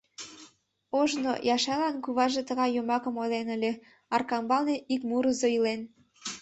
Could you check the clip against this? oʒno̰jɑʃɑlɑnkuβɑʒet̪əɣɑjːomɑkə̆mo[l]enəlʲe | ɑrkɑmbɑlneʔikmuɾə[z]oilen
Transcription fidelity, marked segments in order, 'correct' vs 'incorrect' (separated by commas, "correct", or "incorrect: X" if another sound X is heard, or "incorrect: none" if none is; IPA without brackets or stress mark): correct, correct